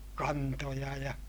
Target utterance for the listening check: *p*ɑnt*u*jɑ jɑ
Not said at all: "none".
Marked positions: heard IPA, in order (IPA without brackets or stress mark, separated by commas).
k, o